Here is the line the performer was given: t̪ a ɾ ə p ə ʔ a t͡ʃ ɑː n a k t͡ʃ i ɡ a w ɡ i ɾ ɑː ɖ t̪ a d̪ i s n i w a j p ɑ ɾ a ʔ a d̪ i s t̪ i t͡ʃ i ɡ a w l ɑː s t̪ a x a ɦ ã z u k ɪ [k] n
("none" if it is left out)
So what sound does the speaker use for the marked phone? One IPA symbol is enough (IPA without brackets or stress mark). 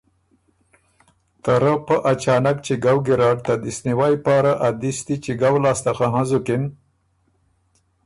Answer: none